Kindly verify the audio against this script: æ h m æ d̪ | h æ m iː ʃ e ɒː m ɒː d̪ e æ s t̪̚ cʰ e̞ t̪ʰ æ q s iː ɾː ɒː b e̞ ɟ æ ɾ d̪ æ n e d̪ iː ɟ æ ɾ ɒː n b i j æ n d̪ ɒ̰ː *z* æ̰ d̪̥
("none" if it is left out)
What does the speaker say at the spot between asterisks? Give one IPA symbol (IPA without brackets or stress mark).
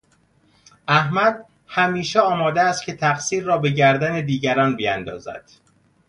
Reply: z